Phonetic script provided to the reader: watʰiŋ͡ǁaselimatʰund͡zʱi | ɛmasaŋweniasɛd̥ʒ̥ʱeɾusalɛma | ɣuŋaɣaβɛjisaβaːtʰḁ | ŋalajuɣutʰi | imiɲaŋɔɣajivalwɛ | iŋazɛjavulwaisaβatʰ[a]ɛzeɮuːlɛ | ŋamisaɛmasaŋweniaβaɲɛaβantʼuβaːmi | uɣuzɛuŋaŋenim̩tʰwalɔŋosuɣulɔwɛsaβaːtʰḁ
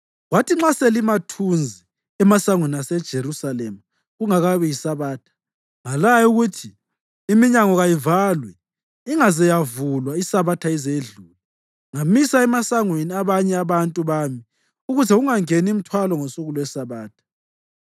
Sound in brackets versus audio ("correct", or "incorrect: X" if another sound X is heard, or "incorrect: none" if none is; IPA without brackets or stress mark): correct